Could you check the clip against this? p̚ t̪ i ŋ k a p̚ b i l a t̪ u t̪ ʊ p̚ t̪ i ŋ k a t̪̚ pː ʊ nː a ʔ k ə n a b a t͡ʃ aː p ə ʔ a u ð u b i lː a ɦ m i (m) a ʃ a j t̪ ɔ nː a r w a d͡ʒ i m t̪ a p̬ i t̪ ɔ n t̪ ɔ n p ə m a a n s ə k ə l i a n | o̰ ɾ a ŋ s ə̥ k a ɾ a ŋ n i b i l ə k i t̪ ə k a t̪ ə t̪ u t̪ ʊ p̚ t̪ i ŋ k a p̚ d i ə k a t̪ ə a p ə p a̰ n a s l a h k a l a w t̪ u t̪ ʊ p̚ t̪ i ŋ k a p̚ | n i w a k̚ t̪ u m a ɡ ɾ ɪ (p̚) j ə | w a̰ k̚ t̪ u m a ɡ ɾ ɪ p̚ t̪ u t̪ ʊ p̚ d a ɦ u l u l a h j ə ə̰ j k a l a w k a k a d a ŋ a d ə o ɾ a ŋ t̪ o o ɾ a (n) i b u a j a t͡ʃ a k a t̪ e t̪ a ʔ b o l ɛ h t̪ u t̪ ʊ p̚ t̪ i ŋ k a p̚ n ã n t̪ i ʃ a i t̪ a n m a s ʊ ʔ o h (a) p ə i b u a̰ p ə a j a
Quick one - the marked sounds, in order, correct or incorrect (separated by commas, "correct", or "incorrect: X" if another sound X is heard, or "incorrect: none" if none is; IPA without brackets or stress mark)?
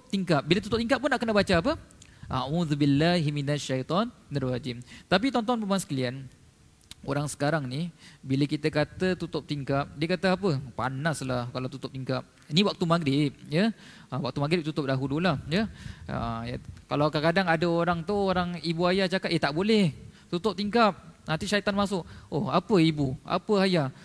incorrect: n, correct, incorrect: ŋ, correct